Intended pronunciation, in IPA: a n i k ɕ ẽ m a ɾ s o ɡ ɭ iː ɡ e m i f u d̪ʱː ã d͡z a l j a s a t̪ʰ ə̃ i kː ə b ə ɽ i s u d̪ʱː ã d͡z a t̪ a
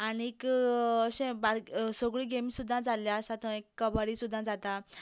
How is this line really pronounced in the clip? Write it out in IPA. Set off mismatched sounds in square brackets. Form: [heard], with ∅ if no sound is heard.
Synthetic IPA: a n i k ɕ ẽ [b] a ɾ s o ɡ ɭ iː ɡ e m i [s] u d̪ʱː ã d͡z a l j a s a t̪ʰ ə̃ [e] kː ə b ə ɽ i s u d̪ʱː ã d͡z a t̪ a